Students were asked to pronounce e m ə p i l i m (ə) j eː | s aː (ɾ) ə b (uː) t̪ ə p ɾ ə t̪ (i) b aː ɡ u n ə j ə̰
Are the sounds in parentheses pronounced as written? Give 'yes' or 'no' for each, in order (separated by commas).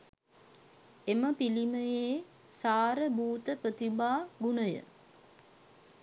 yes, yes, yes, yes